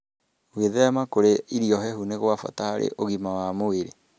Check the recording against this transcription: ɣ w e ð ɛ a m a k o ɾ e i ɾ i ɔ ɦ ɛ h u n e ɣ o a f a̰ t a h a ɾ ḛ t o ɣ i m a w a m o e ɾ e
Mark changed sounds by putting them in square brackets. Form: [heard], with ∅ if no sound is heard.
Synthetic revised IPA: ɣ w e ð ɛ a m a k o ɾ e i ɾ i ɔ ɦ ɛ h u n e ɣ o a f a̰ t a h a ɾ ḛ [ʔ] o ɣ i m a w a m o e ɾ e